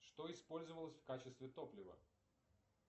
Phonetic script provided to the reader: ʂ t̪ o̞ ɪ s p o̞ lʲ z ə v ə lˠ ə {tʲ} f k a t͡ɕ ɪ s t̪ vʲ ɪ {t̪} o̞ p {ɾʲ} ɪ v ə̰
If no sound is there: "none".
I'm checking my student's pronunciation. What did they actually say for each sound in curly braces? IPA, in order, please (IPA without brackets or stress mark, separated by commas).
sʲ, t̪, lʲ